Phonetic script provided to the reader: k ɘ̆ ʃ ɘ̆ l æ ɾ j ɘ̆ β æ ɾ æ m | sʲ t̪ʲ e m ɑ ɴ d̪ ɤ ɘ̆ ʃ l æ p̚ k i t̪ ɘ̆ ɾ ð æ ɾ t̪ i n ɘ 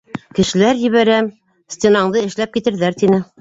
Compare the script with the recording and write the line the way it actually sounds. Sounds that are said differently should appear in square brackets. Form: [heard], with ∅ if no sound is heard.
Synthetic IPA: k ɘ̆ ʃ ɘ̆ l æ ɾ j ɘ̆ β æ ɾ æ m | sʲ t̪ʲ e [n] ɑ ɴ d̪ ɤ ɘ̆ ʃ l æ p̚ k i t̪ ɘ̆ ɾ ð æ ɾ t̪ i n ɘ